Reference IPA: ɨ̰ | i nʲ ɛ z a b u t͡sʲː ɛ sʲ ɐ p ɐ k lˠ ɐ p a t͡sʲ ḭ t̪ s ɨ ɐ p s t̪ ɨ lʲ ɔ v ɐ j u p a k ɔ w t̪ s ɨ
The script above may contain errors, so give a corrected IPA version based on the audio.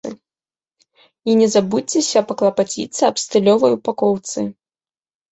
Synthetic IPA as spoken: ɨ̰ | i nʲ ɛ z a b u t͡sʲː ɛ sʲ ɐ p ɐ k lˠ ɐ p a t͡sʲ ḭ t̪ s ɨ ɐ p s t̪ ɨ lʲ ɔ v ɐ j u p a k ɔ w t̪ s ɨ